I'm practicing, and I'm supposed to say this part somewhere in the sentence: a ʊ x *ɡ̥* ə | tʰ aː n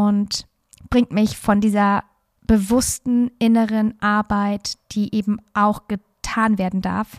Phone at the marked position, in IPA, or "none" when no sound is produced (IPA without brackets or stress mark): ɡ̥